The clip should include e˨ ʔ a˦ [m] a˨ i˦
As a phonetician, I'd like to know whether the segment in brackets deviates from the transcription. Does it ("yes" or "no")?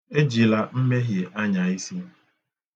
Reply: yes